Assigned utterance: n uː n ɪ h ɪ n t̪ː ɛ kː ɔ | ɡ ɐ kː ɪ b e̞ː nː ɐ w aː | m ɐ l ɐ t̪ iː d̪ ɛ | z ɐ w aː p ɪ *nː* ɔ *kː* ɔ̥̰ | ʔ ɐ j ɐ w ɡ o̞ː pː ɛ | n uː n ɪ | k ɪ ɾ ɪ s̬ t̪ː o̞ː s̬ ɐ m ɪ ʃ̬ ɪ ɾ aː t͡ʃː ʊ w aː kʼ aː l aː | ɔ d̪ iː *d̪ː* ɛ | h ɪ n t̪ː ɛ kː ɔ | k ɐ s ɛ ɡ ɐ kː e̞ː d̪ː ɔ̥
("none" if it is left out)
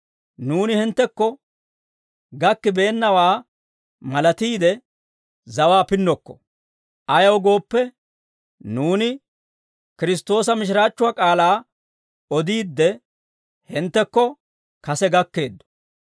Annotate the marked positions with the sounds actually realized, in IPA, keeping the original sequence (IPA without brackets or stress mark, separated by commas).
nː, kː, d̪ː